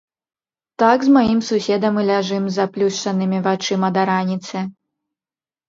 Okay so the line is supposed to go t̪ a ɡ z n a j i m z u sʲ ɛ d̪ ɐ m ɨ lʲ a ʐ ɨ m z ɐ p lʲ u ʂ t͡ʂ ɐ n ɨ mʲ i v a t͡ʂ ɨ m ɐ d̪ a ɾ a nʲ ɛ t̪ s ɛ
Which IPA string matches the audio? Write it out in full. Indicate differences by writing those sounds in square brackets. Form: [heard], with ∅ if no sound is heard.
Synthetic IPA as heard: t̪ a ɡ z [m] a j i m [s] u sʲ ɛ d̪ ɐ m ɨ lʲ a ʐ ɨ m z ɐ p lʲ u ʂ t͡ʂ ɐ n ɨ mʲ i v a t͡ʂ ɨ m ɐ d̪ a ɾ a nʲ [i] t̪ s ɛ